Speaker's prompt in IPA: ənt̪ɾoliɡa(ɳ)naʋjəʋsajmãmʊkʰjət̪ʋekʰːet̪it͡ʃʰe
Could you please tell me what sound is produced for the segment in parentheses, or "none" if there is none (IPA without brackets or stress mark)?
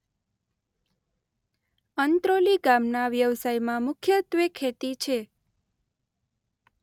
m